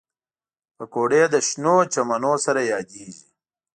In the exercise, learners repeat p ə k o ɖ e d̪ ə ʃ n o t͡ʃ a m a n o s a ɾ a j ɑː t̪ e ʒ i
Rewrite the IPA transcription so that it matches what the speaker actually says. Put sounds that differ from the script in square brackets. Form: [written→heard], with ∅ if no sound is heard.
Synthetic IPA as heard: p ə k o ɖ e d̪ ə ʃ n o t͡ʃ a m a n o s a ɾ a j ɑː [t̪→d̪] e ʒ i